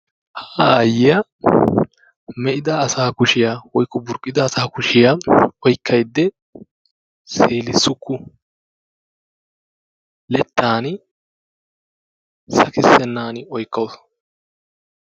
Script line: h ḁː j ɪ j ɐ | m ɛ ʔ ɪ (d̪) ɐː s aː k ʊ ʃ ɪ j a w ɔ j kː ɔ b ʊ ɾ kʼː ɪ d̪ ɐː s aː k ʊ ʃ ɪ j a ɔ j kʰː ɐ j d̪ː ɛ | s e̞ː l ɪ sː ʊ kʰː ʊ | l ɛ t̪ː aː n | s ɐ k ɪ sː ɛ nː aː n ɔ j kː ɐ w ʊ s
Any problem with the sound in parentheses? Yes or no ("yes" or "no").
no